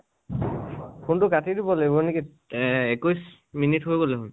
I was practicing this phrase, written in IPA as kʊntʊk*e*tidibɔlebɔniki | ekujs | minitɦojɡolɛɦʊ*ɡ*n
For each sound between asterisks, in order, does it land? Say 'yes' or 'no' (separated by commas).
no, no